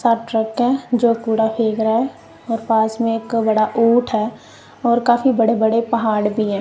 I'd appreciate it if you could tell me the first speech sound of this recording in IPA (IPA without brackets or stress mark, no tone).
s